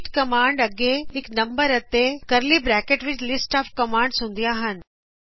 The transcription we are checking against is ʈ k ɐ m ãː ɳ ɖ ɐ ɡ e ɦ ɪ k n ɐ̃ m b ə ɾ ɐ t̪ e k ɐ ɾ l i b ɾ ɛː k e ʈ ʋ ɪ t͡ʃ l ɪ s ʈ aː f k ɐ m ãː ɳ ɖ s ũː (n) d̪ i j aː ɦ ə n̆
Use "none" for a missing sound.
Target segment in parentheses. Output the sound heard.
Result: n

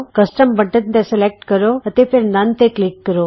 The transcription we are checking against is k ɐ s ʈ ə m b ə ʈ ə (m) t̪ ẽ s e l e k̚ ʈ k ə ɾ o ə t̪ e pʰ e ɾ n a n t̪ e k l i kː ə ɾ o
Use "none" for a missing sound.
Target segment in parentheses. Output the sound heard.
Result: n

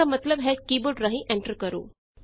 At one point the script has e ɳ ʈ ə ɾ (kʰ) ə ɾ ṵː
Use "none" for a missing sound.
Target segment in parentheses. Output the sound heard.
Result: k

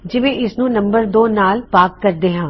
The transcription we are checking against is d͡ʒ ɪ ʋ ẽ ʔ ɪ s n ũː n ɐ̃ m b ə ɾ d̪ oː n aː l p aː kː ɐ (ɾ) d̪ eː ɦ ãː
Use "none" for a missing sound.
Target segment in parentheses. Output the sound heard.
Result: ɾ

